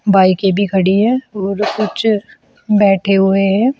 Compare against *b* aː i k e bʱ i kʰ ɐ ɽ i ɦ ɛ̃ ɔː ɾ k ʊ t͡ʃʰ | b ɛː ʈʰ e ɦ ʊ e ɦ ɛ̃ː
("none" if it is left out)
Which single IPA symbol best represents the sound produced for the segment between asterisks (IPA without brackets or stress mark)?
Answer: b